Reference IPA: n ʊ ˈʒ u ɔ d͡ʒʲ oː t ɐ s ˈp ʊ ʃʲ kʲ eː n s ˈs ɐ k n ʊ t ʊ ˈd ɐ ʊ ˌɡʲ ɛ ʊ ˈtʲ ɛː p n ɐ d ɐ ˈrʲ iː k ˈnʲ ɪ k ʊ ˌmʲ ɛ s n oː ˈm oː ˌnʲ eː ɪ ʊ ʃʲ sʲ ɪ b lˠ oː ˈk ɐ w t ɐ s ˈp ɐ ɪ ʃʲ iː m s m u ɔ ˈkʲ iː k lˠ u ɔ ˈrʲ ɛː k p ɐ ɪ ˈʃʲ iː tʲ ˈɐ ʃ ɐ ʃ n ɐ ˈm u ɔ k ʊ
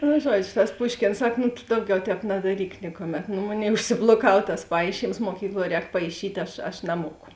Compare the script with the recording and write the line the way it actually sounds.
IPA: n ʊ ˈʒ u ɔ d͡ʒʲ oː t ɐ s ˈp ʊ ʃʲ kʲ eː n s ˈs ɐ k n ʊ t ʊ ˈd ɐ ʊ ˌɡʲ ɛ ʊ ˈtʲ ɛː p n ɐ d ɐ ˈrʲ iː k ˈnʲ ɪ k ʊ ˌmʲ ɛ t n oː ˈm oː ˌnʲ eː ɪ ʊ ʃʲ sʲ ɪ b lˠ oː ˈk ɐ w t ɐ s ˈp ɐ ɪ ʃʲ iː m s m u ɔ ˈkʲ iː k lˠ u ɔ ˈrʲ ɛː k p ɐ ɪ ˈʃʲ iː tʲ ˈɐ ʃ ɐ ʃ n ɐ ˈm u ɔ k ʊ